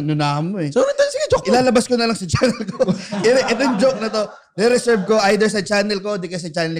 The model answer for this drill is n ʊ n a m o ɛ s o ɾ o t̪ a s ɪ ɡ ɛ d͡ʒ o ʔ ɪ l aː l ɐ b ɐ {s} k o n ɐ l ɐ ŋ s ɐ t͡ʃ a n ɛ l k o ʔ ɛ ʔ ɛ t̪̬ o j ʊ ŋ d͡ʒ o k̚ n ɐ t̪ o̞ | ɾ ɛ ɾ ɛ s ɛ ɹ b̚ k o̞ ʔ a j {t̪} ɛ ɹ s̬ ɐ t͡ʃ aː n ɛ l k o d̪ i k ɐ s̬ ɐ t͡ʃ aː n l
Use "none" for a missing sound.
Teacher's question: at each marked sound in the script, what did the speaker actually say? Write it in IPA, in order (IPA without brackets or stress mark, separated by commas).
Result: s, d̪